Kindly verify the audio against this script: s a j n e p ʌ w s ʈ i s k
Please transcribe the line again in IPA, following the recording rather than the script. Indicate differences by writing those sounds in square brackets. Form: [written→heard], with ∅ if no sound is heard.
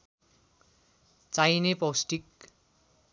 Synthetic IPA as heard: [s→t͡s] a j n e p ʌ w s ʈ i [s→∅] k